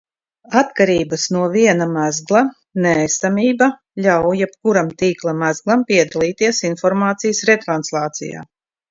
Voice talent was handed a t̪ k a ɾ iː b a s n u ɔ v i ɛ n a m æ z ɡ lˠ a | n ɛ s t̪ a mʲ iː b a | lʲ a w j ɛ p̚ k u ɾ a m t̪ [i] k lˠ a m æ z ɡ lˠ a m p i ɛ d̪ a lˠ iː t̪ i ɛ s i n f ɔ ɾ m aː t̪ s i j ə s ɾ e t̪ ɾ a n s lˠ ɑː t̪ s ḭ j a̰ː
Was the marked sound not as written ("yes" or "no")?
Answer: yes